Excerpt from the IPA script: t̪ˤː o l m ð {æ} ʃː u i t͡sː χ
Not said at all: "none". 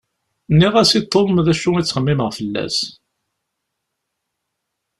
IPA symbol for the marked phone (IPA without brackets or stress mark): æ